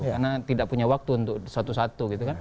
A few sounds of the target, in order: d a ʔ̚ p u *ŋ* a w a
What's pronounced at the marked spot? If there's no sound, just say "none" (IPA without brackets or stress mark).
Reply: ɲ